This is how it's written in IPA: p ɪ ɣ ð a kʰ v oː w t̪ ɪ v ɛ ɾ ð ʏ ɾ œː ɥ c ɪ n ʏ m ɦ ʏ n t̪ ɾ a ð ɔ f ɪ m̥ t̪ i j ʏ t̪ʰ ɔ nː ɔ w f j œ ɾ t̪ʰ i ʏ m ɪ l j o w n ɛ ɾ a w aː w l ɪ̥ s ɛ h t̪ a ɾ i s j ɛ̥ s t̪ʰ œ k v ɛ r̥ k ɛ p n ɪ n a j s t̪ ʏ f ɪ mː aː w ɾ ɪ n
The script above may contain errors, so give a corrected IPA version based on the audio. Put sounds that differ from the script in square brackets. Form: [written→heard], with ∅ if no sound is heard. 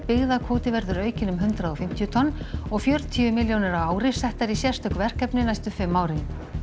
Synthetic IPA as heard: p ɪ ɣ ð a kʰ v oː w t̪ ɪ v ɛ ɾ ð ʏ ɾ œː ɥ c ɪ n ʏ m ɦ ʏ n t̪ ɾ a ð ɔ f ɪ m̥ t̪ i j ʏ t̪ʰ ɔ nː ɔ [w→ɣ] f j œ ɾ t̪ʰ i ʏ m ɪ l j o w n ɛ ɾ a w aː w [l→ɾ] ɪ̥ s ɛ h t̪ a ɾ i s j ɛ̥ s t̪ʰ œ k v ɛ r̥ k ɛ p n ɪ n a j s t̪ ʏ f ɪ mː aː w ɾ ɪ n